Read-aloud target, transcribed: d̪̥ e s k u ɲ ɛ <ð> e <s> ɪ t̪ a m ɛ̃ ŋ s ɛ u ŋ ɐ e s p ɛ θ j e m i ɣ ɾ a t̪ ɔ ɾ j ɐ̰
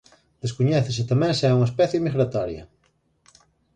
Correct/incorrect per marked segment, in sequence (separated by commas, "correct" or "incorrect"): incorrect, correct